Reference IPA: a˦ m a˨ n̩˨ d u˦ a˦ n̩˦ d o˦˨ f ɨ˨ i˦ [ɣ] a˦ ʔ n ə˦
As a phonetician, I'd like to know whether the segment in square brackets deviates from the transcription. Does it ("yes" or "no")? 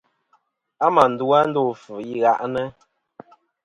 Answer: no